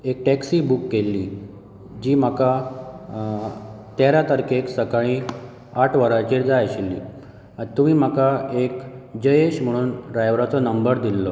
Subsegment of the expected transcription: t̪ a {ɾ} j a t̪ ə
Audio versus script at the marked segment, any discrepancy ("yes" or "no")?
no